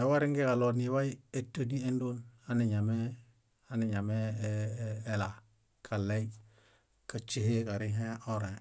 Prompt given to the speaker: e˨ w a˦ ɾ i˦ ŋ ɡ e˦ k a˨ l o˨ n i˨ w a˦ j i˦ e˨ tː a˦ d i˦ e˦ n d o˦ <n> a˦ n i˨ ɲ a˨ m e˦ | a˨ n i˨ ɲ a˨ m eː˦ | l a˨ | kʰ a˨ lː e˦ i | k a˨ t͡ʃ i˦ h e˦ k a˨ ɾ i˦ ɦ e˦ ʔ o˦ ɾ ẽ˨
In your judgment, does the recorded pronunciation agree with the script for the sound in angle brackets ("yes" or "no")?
yes